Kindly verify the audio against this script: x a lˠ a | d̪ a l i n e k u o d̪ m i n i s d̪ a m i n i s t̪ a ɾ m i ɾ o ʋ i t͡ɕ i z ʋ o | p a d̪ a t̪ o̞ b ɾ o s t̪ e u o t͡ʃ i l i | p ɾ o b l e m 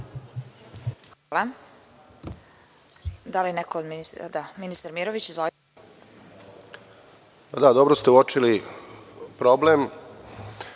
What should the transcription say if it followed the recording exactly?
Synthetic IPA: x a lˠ a | d̪ a l i n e k o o d̪ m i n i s d̪ a m i n i s t̪ a ɾ m i ɾ o ʋ i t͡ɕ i z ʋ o | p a d̪ a d̪ o̞ b ɾ o s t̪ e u o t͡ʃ i l i | p ɾ o b l e m